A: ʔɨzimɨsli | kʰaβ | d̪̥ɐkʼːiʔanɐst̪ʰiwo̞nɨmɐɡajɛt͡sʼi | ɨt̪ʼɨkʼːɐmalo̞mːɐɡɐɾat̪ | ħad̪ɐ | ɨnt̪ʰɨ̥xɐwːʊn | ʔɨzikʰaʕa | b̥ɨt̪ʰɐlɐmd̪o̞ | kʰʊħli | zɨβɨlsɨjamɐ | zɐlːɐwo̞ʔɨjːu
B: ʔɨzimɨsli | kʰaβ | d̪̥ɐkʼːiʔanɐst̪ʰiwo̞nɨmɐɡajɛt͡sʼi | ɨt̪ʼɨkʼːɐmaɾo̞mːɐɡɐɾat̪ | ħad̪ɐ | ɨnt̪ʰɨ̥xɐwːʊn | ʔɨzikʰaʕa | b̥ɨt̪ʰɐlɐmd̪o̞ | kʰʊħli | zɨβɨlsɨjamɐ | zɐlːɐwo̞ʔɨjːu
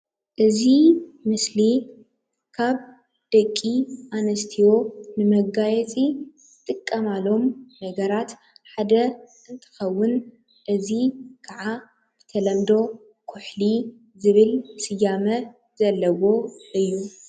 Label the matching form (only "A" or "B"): A